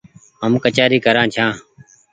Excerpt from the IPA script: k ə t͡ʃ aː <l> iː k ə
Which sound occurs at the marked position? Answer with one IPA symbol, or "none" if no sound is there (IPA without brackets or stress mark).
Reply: ɾ